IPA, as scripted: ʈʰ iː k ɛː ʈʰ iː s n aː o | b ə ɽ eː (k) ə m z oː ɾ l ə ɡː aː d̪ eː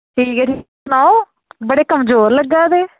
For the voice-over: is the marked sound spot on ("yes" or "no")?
yes